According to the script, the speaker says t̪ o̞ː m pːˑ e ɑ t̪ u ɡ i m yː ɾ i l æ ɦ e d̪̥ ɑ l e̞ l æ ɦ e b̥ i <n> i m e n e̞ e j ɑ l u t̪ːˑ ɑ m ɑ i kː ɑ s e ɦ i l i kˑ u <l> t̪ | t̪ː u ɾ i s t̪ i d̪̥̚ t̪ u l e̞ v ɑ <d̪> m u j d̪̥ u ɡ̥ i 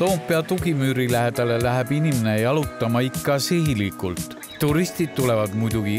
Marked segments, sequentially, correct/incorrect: correct, correct, correct

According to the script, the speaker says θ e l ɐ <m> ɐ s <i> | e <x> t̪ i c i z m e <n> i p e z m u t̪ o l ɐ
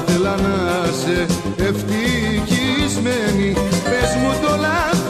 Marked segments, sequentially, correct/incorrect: incorrect, incorrect, incorrect, correct

